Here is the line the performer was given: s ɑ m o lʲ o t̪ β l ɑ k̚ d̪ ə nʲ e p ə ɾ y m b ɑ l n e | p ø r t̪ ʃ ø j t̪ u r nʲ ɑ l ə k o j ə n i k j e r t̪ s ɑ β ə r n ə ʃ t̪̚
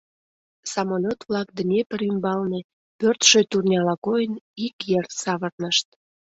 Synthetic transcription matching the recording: s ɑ m o lʲ o t̪ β l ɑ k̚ d̪ ə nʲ e p ə ɾ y m b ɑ l n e | p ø r t̪ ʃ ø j t̪ u r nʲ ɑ l ɑ k o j ə n i k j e r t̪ s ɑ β ə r n ə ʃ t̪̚